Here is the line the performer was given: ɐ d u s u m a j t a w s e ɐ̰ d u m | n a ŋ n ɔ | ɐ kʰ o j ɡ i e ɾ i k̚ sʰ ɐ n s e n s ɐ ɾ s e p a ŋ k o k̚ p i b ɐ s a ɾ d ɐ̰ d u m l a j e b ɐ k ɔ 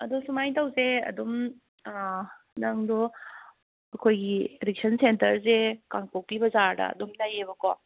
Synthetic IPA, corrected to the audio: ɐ d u s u m a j t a w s e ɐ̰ d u m | n a ŋ d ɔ | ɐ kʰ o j ɡ i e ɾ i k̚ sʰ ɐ n s e n t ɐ ɾ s e k a ŋ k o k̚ p i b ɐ z a ɾ d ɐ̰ d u m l a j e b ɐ k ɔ